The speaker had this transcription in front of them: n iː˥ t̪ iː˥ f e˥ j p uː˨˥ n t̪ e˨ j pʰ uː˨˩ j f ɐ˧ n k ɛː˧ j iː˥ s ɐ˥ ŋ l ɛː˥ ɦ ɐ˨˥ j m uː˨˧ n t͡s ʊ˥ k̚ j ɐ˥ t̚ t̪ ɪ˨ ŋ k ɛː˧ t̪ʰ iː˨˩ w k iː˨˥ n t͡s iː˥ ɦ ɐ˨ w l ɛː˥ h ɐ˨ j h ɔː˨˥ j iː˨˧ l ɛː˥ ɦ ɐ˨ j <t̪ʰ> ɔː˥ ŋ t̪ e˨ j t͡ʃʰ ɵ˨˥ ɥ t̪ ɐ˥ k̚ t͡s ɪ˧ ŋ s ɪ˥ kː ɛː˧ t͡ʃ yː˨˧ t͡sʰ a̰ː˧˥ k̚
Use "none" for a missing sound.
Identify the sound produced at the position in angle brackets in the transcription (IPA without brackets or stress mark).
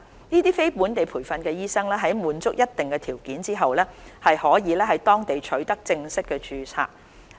t̪